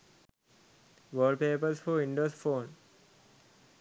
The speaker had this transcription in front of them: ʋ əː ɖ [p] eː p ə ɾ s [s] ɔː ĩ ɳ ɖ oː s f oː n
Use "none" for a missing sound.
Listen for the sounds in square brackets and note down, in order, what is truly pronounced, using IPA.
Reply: p, f

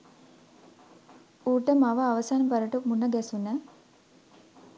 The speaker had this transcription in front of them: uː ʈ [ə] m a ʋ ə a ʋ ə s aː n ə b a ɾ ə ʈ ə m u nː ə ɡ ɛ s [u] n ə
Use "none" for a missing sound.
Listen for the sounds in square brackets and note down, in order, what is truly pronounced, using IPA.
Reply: ə, u

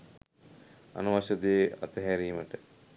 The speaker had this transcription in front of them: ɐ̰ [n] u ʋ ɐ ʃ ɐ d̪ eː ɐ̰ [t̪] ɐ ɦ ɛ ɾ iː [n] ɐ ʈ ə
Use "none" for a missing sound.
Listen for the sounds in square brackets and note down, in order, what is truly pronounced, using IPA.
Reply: n, t̪, m

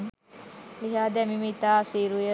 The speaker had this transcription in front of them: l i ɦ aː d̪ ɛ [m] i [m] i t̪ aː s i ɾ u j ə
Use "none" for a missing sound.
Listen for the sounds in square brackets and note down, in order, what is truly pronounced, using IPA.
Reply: m, m

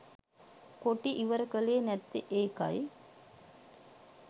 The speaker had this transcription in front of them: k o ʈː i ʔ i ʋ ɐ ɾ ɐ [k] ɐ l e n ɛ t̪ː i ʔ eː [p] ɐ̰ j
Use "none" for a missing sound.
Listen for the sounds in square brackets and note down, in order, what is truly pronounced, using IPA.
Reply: k, k

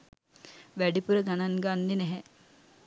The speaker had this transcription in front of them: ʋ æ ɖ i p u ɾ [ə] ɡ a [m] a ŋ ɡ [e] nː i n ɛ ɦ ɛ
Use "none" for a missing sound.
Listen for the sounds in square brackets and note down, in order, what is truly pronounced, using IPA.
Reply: ə, n, a

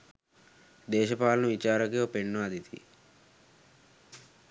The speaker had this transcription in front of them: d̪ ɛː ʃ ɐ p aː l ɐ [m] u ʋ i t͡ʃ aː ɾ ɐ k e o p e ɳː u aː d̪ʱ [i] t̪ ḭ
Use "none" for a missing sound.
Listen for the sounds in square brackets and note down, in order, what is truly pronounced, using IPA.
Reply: n, i

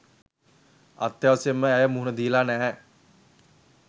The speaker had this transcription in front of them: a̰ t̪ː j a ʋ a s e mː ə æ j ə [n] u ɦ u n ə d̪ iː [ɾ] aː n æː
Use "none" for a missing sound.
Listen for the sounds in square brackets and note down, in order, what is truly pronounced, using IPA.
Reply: m, l

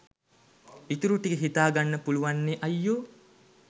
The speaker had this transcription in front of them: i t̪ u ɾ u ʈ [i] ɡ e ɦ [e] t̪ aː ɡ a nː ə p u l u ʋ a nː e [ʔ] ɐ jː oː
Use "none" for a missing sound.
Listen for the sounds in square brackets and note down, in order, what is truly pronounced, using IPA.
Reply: i, i, ʔ

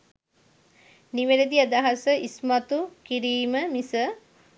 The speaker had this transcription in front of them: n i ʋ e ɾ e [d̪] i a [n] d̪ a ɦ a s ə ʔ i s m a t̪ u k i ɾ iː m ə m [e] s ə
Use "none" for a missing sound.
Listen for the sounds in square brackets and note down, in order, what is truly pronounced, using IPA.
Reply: d̪, none, i

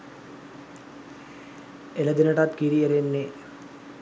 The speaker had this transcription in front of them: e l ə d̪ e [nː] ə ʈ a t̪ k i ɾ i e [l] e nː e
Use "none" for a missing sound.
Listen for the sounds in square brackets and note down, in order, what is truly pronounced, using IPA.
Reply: n, ɾ

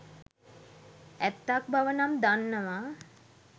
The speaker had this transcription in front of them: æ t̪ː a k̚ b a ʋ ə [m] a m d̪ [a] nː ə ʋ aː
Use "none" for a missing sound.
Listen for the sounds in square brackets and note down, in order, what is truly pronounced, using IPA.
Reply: n, a

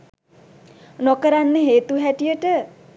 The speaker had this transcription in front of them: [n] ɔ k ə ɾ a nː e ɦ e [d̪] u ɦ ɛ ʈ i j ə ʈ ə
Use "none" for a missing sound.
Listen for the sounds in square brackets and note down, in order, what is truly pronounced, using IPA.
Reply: n, t̪

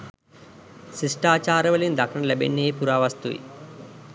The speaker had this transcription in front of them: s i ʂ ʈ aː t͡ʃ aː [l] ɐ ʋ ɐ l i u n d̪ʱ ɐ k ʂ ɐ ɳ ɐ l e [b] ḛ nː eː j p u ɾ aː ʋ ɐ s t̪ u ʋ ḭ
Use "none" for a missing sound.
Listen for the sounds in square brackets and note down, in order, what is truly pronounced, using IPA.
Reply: ɾ, b

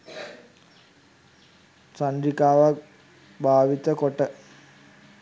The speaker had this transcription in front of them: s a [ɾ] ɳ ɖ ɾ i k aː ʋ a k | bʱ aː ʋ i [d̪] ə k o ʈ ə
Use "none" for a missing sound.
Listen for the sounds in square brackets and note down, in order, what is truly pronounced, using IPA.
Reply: none, t̪

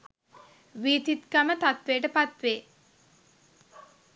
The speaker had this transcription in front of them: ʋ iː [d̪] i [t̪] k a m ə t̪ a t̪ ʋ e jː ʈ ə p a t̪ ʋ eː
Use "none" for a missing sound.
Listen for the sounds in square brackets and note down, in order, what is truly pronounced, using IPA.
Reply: t̪, t̪

